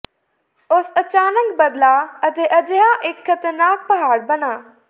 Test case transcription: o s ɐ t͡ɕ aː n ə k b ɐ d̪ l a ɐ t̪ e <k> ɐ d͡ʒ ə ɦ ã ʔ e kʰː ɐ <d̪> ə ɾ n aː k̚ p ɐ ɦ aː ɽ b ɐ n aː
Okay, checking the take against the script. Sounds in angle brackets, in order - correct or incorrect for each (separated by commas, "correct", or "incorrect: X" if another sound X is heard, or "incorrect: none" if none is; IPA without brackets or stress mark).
incorrect: ʔ, incorrect: t̪